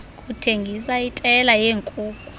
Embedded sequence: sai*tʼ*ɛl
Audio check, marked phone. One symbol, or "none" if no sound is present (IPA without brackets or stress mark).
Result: tʼ